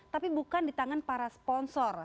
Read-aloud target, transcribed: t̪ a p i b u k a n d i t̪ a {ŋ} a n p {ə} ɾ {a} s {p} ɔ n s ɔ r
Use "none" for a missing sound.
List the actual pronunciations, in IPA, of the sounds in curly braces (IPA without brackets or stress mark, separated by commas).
ŋ, a, a, p